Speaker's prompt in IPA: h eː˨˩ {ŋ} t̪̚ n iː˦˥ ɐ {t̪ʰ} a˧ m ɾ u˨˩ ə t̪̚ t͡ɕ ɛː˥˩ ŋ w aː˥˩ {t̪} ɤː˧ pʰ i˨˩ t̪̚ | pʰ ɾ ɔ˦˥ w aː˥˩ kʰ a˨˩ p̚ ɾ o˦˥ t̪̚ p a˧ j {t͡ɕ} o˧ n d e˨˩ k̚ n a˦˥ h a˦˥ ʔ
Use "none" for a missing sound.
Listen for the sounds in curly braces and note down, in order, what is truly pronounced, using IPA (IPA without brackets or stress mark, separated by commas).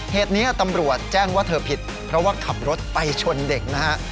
none, t̪, t̪ʰ, t͡ɕʰ